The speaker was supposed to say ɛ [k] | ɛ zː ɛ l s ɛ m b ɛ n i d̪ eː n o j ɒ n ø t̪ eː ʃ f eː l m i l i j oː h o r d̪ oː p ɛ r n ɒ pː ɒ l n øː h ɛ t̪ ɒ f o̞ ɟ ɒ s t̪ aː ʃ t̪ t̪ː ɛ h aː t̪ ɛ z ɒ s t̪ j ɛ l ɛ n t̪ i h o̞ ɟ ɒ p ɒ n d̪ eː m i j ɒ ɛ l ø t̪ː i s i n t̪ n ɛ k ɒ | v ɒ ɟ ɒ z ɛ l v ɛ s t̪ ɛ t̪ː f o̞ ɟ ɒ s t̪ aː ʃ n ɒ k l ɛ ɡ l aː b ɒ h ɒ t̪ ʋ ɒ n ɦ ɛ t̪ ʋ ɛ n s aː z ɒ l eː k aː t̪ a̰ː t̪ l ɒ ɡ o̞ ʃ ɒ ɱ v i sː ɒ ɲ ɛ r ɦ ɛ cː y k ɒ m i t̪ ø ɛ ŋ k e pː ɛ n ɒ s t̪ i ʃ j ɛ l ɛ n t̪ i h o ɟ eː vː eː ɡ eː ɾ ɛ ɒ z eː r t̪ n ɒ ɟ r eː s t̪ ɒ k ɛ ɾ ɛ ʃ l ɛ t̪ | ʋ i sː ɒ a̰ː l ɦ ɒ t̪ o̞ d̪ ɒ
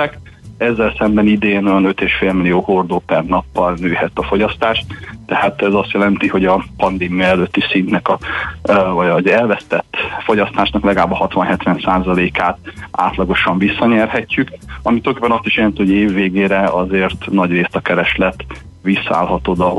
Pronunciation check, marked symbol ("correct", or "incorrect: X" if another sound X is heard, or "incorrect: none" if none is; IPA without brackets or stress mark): correct